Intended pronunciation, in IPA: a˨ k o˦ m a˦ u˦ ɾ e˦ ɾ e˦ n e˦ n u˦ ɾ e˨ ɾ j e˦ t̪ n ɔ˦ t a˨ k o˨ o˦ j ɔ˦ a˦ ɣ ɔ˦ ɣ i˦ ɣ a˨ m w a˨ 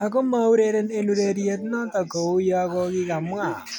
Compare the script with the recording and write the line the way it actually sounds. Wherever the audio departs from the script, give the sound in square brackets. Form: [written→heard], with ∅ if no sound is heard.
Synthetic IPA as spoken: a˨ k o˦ m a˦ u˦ ɾ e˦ ɾ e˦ n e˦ n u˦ ɾ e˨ ɾ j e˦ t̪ n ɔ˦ t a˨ k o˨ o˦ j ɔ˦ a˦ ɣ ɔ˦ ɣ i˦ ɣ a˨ m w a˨